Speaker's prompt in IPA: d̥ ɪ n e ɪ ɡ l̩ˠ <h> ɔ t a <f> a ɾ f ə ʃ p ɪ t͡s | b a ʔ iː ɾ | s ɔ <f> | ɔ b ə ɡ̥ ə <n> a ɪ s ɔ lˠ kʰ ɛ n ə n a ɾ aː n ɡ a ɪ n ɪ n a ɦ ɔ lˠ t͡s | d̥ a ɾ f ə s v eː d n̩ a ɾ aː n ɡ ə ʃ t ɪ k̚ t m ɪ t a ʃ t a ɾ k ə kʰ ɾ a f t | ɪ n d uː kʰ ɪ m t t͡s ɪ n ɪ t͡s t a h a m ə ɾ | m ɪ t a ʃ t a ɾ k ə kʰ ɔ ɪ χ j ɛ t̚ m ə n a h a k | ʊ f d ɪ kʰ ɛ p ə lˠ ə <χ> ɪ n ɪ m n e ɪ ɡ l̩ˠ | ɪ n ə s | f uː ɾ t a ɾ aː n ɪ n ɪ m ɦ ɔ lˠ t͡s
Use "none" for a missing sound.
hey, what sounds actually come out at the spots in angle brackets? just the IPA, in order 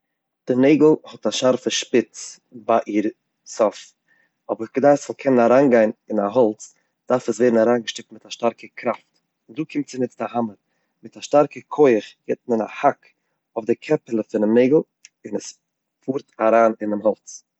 h, ʃ, f, d, f

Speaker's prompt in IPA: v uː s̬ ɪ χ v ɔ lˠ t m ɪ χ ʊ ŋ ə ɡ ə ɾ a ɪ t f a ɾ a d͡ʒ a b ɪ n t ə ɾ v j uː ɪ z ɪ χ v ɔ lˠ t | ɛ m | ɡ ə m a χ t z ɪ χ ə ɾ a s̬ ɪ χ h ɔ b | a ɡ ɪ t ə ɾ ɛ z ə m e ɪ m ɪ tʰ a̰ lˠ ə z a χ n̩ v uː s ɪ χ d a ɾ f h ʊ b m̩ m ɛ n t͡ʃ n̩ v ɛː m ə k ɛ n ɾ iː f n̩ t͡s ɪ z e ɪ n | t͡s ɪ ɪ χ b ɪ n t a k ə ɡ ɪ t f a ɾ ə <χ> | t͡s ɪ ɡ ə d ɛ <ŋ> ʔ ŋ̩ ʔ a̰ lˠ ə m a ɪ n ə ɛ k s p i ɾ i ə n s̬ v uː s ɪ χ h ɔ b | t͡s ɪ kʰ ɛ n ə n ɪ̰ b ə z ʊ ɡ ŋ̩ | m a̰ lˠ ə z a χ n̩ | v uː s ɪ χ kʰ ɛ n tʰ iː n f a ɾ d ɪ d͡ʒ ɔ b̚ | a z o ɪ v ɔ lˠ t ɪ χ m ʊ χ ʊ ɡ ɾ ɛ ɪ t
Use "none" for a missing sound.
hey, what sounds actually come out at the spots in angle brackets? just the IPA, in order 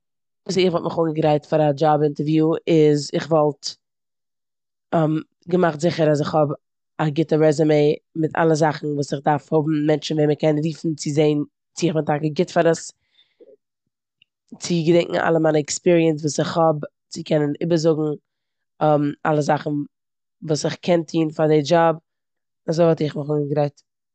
s, ŋ

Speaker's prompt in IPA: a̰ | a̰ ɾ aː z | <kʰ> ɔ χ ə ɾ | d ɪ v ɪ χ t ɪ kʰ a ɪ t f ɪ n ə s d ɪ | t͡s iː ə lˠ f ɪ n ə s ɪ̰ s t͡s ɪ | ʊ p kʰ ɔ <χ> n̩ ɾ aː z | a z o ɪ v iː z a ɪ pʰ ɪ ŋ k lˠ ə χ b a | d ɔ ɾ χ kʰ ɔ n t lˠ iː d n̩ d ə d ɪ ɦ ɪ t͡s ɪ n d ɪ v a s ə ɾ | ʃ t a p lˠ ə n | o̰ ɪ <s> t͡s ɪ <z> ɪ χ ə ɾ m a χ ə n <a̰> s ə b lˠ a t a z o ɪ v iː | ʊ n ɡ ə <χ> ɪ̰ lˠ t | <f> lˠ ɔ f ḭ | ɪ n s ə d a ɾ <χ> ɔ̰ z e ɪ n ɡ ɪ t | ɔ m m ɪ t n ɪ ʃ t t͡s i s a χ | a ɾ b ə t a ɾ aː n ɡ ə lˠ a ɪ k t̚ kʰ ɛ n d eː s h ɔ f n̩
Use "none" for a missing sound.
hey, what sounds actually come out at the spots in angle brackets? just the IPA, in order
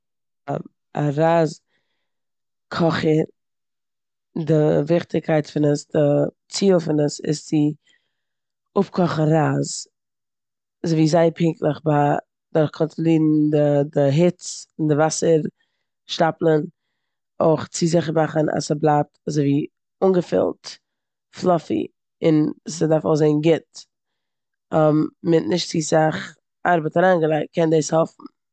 kʰ, χ, χ, z, a̰, f, f, f

